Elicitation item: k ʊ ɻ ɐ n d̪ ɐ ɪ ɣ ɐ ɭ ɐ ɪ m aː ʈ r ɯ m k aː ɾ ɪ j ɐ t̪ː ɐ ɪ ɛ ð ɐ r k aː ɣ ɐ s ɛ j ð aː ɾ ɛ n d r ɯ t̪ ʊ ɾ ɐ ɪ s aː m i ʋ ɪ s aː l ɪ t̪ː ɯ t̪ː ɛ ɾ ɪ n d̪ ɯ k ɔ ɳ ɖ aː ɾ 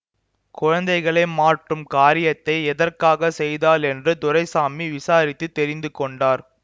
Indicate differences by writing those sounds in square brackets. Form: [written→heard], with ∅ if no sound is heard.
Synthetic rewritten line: k ʊ ɻ ɐ n d̪ ɐ ɪ ɣ ɐ ɭ ɐ ɪ m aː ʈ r ɯ m k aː ɾ ɪ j ɐ t̪ː ɐ ɪ ɛ ð ɐ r k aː ɣ ɐ s ɛ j ð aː [ɾ→l] ɛ n d r ɯ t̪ ʊ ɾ ɐ ɪ s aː m i ʋ ɪ s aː [l→ɾ] ɪ t̪ː ɯ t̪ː ɛ ɾ ɪ n d̪ ɯ k ɔ ɳ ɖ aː ɾ